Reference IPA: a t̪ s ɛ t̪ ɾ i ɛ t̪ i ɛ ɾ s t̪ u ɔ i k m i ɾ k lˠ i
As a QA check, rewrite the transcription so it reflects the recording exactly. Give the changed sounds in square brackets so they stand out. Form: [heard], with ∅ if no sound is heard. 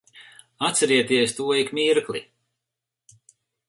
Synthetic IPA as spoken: a t̪ s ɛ [∅] ɾ i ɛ t̪ i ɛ [∅] s t̪ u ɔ i k m i ɾ k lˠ i